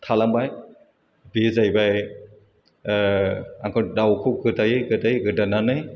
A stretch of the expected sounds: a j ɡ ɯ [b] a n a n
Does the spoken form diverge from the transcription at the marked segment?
yes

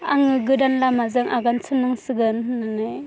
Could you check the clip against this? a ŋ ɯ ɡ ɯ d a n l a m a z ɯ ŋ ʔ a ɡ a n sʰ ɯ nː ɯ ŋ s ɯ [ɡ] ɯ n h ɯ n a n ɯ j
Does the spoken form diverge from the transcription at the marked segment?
no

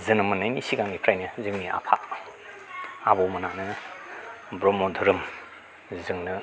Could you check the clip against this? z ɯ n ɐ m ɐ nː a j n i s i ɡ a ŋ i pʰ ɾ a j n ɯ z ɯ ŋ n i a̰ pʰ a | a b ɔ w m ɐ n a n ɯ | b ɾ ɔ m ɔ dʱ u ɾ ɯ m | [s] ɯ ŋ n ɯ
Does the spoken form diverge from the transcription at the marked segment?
yes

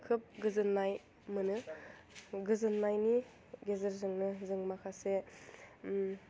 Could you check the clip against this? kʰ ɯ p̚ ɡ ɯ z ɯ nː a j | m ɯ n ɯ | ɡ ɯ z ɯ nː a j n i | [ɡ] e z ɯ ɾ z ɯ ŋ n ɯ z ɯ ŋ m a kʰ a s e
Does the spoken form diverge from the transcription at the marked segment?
no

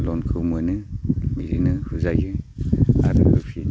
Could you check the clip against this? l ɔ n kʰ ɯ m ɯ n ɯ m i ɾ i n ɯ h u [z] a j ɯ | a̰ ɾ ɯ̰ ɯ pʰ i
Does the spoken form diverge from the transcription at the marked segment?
no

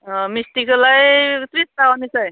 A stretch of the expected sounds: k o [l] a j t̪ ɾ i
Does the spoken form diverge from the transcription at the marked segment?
no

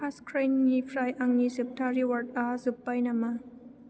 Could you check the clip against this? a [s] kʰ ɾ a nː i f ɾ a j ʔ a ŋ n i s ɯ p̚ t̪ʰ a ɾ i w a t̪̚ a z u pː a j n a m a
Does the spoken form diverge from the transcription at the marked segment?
no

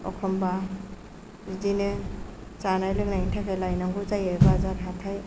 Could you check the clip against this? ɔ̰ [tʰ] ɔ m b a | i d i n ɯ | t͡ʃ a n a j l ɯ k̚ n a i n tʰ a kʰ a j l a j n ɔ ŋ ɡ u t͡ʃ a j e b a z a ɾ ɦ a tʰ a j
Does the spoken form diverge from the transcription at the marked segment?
yes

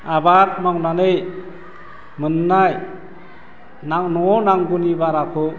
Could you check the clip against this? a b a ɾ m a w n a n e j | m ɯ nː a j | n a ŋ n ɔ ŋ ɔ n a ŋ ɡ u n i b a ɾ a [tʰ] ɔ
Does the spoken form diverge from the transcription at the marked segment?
yes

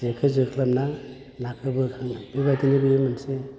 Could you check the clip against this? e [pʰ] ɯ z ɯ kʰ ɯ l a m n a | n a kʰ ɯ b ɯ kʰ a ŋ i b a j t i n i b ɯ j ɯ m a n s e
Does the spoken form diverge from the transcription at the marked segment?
yes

